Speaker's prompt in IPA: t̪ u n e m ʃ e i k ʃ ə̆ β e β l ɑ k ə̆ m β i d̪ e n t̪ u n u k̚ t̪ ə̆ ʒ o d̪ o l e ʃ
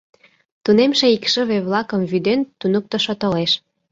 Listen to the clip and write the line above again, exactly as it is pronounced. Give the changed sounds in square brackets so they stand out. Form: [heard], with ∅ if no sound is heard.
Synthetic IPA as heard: t̪ u n e m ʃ e i k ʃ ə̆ β e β l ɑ k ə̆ m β [y] d̪ e n t̪ u n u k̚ t̪ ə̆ [ʃ] o [t̪] o l e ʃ